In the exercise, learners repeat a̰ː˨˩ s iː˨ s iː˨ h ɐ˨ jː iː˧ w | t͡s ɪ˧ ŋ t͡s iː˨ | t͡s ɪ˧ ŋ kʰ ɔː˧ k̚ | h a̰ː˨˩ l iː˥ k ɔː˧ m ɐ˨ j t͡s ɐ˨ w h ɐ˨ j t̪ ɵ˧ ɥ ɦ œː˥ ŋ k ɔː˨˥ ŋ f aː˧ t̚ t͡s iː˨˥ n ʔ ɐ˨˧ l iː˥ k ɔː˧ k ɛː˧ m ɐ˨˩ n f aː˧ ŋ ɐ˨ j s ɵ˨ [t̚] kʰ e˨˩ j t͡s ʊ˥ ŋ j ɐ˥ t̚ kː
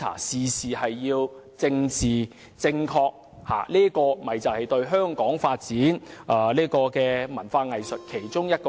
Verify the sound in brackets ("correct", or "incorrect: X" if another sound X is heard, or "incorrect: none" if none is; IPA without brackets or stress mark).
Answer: correct